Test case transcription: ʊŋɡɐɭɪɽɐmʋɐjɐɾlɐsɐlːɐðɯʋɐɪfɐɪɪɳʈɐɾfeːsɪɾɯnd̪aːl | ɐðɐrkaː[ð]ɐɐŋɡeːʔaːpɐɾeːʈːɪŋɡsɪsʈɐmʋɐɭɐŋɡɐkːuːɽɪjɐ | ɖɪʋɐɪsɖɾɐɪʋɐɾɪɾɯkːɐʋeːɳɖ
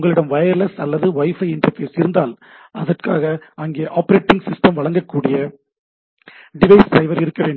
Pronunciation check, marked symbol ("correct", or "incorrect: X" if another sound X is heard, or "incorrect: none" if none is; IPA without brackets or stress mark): incorrect: ɣ